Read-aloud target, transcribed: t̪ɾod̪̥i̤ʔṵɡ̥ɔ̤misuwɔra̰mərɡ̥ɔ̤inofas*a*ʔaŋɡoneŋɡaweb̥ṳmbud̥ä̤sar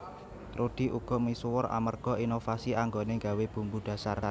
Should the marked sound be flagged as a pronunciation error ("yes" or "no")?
yes